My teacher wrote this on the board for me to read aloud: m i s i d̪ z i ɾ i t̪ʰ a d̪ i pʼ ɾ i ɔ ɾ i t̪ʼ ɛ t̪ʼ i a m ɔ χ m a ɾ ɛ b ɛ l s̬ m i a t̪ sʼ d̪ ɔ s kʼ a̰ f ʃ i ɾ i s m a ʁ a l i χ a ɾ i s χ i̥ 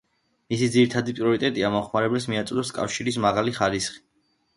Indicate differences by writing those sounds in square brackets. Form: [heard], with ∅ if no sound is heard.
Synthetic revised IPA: m i s i d̪ z i ɾ i t̪ʰ a d̪ i pʼ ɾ i ɔ ɾ i t̪ʼ ɛ t̪ʼ i a m ɔ χ m a ɾ ɛ b ɛ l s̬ m i a t̪ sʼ d̪ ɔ s kʼ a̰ f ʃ i ɾ i s m a ʁ a l i χ a ɾ i s χ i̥